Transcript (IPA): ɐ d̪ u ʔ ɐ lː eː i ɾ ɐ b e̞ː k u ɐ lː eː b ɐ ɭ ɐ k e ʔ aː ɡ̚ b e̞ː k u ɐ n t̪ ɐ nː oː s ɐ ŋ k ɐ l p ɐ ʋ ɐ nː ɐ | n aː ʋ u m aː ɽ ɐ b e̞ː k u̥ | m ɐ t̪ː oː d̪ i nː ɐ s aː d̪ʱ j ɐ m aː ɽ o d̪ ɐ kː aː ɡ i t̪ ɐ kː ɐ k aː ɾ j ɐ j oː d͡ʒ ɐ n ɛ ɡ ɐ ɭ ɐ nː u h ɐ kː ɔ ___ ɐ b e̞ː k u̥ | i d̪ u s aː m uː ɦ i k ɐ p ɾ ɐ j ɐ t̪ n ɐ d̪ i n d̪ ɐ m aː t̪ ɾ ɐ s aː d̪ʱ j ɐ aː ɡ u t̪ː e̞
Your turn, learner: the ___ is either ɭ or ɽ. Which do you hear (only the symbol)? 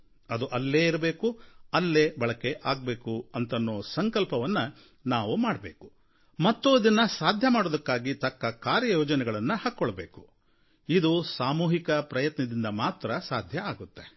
ɭ